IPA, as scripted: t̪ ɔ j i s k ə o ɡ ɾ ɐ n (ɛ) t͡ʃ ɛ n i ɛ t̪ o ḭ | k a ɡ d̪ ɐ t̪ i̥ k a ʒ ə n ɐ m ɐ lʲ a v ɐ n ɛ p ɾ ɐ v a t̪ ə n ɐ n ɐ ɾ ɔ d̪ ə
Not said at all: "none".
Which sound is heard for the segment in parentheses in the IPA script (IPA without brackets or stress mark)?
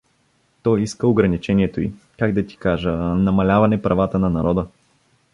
i